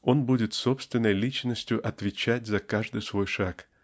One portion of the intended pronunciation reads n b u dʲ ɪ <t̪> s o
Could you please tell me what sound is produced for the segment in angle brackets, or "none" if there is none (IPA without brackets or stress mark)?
t̪